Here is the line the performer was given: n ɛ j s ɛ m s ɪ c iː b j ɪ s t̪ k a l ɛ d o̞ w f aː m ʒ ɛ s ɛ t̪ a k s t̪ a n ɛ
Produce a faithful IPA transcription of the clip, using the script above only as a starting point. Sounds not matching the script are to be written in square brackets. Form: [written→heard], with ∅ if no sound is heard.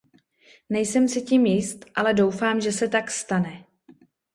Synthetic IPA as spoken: n ɛ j s ɛ m s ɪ c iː [b→m] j ɪ s t̪ [k→ʔ] a l ɛ d o̞ w f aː m ʒ ɛ s ɛ t̪ a k s t̪ a n ɛ